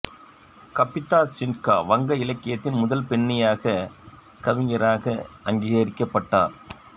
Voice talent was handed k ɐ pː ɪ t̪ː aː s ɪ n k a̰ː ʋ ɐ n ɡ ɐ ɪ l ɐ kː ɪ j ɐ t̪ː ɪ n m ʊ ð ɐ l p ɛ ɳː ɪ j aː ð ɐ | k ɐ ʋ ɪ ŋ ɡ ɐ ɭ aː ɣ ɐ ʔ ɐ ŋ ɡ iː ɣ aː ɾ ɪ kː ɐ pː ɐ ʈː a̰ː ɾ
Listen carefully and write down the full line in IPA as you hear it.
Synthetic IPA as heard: k ɐ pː ɪ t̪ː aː s ɪ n k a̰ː ʋ ɐ ŋ ɡ ɐ ɪ l ɐ kː ɪ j ɐ t̪ː ɪ n m ʊ ð ɐ l p ɛ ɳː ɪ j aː ɣ ɐ | k ɐ ʋ ɪ ŋ ɡ ɐ ɾ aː ɣ ɐ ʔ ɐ ŋ ɡ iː ɣ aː ɾ ɪ kː ɐ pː ɐ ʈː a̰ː ɾ